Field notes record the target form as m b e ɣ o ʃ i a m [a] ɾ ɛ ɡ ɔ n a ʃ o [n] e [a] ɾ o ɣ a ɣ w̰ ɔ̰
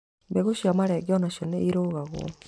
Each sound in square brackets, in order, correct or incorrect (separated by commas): correct, correct, incorrect